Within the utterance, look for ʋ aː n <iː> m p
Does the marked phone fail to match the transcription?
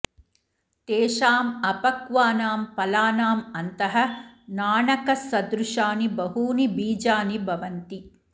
yes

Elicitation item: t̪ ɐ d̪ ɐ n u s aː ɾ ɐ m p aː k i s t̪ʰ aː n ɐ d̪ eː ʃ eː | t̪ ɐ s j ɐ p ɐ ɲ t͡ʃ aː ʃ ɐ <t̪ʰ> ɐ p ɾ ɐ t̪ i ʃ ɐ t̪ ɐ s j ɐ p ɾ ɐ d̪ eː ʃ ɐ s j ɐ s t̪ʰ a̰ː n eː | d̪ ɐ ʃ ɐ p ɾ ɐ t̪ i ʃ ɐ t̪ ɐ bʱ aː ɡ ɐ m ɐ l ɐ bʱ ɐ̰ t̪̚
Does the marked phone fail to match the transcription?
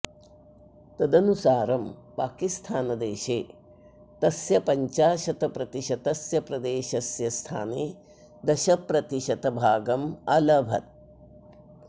yes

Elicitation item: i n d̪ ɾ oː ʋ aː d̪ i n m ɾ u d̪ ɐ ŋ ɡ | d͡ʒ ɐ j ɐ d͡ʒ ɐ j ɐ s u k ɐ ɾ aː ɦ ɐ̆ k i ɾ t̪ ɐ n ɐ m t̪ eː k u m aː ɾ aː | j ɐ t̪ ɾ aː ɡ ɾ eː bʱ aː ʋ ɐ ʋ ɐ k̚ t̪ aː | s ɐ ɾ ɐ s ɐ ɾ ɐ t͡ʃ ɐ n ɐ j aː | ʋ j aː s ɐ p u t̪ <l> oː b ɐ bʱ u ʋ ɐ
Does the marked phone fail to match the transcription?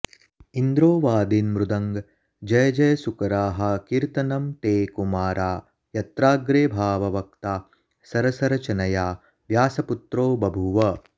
yes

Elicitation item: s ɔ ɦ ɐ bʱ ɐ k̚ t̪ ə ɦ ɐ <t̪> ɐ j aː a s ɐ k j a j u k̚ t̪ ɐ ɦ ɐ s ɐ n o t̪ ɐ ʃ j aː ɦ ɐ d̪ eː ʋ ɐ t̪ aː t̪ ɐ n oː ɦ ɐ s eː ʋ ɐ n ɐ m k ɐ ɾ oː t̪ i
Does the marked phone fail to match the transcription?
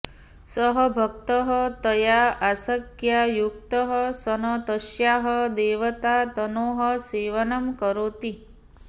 no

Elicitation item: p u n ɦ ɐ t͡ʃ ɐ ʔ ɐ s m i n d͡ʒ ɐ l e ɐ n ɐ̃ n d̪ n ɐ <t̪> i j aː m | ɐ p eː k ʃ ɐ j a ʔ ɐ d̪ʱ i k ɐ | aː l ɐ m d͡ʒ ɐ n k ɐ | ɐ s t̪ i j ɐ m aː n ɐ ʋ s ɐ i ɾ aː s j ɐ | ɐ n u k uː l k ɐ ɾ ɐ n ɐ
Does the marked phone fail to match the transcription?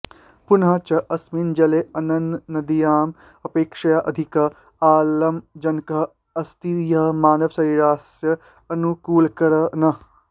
yes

